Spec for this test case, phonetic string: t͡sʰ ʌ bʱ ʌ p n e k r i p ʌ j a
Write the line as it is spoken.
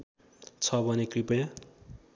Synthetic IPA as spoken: t͡sʰ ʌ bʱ ʌ n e k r i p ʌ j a